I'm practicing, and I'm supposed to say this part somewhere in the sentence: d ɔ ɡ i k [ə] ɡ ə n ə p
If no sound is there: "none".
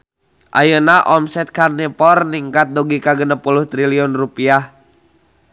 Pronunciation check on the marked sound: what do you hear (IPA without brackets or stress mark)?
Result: a